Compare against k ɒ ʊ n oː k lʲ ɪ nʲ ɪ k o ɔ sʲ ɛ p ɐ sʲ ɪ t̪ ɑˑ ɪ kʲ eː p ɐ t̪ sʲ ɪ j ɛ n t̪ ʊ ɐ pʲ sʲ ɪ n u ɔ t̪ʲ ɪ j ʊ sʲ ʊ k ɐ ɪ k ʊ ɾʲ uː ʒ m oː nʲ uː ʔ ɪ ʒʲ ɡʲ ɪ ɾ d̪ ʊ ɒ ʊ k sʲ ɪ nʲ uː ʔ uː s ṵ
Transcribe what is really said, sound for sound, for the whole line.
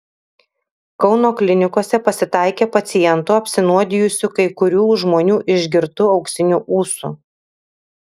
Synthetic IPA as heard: k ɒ ʊ n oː k lʲ ɪ nʲ ɪ k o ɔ sʲ ɛ p ɐ sʲ ɪ t̪ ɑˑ ɪ kʲ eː p ɐ t̪ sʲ ɪ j ɛ n t̪ ʊ ɐ pʲ sʲ ɪ n u ɔ d̪ʲ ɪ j ʊ sʲ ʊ k ɐ ɪ k ʊ ɾʲ uː ʒ m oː nʲ uː ʔ ɪ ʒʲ ɡʲ ɪ ɾ t̪ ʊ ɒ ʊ k sʲ ɪ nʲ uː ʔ uː s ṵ